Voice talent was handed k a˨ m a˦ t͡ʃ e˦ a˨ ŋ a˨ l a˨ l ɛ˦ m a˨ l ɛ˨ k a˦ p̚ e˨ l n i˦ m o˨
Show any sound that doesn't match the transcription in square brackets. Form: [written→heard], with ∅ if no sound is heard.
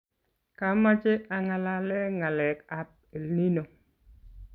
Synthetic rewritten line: k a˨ m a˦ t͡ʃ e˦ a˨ ŋ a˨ l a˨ l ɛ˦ [m→ŋ] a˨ l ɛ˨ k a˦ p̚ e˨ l n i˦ [m→n] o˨